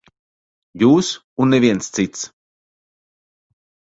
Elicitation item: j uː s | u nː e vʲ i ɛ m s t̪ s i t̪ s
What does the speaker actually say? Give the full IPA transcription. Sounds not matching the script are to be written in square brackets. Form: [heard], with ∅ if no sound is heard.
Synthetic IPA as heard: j uː s | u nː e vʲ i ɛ [n] s t̪ s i t̪ s